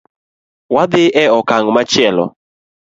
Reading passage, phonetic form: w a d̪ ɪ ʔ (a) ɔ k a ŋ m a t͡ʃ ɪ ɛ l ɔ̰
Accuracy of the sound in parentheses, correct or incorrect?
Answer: incorrect: ɛ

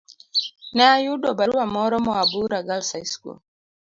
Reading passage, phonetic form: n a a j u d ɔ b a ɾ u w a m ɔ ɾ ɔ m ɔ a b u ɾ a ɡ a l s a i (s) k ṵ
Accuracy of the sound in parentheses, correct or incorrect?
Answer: correct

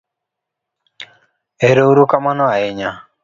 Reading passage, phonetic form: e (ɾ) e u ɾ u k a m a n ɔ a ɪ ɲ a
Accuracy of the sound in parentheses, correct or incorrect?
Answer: correct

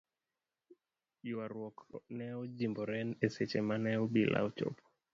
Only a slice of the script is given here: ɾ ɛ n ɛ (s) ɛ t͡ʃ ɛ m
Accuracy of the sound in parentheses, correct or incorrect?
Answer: correct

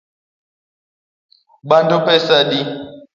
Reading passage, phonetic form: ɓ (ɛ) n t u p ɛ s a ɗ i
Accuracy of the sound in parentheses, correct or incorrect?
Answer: incorrect: a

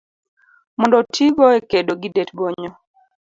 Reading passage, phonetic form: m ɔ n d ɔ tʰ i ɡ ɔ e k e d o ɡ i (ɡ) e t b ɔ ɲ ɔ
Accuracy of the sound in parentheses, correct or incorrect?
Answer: incorrect: d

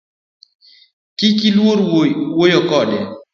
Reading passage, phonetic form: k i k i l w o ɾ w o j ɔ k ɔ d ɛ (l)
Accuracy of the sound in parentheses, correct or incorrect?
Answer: incorrect: none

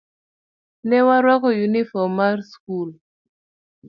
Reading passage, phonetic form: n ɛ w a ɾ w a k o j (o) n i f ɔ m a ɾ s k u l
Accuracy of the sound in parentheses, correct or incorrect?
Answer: incorrect: u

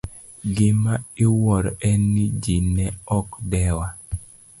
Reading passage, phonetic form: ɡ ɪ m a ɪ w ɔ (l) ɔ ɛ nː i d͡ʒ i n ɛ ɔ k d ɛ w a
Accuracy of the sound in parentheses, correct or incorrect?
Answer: incorrect: ɾ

